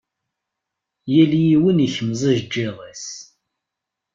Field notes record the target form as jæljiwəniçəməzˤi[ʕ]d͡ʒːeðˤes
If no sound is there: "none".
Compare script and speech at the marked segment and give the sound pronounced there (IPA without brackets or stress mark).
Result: ʒ